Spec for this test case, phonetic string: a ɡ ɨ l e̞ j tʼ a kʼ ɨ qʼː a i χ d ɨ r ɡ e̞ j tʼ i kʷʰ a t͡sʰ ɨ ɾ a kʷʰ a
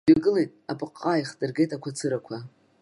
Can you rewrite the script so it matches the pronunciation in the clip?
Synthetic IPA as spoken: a ɡ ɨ l e̞ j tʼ a pʼ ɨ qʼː a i χ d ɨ r ɡ e̞ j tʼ a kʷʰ a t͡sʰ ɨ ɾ a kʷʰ a